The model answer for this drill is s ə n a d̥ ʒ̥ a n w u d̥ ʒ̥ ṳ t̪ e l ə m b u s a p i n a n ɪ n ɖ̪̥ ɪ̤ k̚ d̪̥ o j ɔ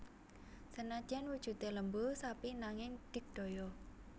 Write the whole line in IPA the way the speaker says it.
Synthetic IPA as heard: s ə n a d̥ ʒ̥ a n w u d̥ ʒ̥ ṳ t̪ e l ə m b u s a p i n a ŋ ɪ ŋ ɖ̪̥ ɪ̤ k̚ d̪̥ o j ɔ